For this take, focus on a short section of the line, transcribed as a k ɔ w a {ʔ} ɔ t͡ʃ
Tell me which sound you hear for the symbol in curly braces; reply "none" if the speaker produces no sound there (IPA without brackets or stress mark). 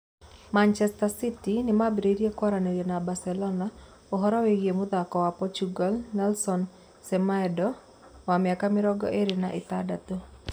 p